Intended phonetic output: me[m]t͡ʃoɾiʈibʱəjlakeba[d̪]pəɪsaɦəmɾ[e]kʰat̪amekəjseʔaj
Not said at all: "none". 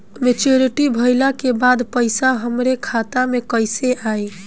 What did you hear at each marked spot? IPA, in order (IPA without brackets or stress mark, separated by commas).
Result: none, d̪, e